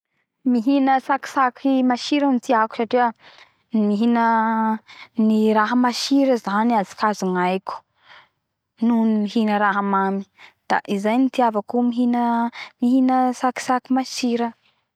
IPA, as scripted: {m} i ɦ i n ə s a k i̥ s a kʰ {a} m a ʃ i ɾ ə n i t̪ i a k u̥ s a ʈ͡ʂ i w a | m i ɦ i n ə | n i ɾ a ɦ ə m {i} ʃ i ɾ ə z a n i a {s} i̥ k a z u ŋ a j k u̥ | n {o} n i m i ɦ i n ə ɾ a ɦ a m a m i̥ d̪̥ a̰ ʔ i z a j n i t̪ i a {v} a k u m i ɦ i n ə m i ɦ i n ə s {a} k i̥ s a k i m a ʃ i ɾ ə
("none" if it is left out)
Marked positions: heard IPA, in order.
m, i, a, z, u, v, a

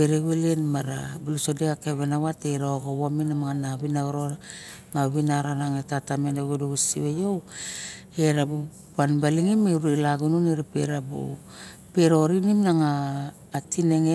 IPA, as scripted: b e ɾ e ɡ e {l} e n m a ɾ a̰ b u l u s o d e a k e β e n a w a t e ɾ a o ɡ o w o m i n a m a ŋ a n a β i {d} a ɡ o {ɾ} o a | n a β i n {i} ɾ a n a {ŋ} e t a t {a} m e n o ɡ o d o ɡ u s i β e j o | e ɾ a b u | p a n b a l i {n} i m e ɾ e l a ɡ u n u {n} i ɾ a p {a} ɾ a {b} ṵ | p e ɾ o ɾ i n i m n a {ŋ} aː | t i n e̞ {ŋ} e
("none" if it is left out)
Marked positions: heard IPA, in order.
l, n, ɾ, a, ŋ, a, ŋ, n, e, b, ŋ, ŋ

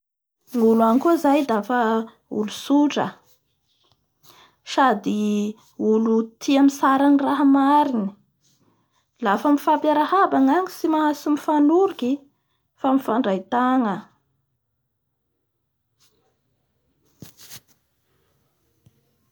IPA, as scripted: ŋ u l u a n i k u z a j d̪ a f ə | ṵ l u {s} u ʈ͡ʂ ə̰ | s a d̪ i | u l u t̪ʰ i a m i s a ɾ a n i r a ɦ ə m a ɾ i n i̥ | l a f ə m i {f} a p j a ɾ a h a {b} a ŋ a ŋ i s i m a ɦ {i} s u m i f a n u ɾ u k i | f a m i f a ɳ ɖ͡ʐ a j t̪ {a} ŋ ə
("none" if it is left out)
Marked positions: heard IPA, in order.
s, f, b, a, a

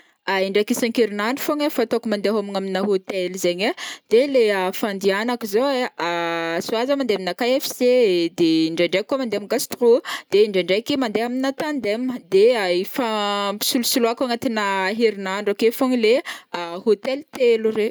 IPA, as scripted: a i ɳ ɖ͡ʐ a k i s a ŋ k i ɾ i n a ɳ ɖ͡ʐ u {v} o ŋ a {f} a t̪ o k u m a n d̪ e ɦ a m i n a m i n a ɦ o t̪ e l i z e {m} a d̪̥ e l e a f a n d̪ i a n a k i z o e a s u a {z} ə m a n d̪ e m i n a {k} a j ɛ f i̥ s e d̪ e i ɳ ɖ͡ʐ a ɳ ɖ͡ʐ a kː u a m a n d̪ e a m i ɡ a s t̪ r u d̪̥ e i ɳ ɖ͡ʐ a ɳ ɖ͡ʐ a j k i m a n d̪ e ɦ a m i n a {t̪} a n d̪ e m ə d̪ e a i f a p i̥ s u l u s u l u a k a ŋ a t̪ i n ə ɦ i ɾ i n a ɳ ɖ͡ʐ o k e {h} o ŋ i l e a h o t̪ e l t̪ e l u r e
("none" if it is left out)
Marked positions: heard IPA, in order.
f, f, ɲ, z, k, t̪, f

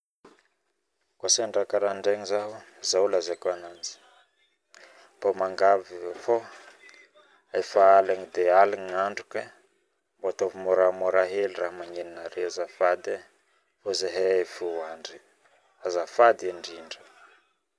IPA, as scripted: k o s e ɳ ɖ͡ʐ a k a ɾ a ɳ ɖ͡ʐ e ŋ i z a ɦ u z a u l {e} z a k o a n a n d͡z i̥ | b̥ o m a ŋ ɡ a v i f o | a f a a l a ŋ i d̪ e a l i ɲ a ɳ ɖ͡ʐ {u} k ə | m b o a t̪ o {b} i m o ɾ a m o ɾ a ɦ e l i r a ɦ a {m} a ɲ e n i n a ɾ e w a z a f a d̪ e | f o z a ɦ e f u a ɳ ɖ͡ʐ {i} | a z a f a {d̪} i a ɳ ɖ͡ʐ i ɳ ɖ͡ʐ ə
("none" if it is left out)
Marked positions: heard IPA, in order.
a, u, v, m, i, d̪

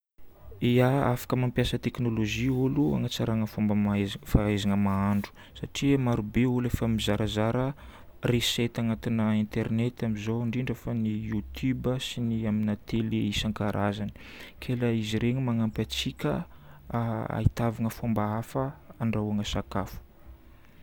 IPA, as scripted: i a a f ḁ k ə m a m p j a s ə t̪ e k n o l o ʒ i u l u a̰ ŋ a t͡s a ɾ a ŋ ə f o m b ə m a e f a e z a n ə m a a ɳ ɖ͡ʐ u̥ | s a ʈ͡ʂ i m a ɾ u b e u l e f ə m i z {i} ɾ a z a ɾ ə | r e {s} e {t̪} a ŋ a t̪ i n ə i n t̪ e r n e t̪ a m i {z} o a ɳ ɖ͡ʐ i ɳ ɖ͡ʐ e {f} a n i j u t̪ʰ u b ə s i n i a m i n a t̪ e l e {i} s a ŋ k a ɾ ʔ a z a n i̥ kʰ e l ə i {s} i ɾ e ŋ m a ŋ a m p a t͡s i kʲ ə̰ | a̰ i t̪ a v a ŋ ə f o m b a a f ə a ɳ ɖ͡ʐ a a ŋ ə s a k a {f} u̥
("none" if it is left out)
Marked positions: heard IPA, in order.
a, s, t̪, z, f, i, z, f

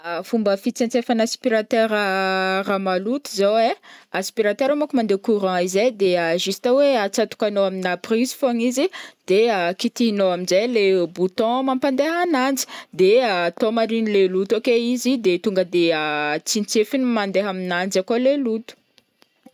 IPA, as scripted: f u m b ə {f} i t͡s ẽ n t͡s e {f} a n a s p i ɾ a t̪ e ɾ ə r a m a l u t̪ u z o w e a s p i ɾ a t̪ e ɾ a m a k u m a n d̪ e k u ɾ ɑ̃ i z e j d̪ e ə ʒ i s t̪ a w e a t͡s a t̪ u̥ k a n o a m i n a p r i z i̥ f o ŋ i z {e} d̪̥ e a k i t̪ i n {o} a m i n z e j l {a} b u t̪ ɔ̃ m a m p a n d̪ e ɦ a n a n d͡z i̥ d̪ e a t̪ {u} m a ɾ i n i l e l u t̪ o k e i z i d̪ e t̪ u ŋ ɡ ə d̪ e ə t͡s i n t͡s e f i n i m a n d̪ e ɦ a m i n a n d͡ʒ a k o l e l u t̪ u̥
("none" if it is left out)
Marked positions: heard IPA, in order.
f, f, i, o, e, o

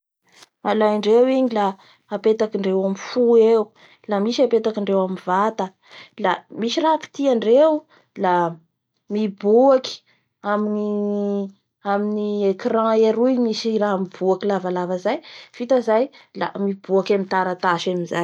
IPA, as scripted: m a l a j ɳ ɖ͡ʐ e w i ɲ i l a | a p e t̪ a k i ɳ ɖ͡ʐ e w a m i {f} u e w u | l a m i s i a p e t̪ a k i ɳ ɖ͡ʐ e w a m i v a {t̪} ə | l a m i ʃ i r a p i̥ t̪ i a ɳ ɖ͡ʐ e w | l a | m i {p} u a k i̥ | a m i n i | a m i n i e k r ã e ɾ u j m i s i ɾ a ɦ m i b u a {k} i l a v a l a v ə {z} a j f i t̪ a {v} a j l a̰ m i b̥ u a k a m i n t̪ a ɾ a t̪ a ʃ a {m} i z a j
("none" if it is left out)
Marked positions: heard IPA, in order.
f, t̪, b, k, z, z, m

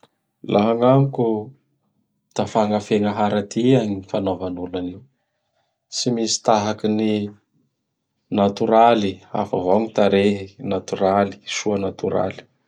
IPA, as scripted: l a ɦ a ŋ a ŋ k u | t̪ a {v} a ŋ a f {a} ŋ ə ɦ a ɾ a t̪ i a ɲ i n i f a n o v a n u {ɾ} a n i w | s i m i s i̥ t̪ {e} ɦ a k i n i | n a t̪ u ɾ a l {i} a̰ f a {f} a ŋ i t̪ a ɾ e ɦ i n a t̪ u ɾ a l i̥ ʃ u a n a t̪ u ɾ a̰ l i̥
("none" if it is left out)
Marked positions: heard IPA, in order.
f, e, l, a, i, v

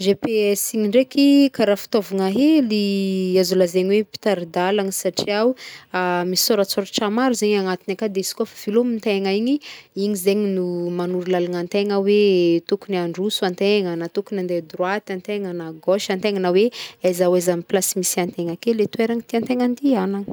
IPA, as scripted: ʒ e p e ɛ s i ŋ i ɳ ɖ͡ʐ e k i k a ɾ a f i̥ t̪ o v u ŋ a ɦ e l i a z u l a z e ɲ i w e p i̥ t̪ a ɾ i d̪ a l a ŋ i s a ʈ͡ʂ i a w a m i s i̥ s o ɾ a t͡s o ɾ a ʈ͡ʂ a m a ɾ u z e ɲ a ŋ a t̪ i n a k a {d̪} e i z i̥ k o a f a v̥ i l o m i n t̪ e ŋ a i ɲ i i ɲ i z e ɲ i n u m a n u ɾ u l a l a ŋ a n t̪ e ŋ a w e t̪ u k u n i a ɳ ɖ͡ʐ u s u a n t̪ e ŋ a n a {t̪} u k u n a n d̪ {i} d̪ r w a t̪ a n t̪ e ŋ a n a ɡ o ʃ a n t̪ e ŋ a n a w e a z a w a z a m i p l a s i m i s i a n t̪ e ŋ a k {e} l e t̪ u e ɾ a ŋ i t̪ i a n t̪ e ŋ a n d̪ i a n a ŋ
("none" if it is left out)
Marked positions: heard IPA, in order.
d̪, t̪, e, e

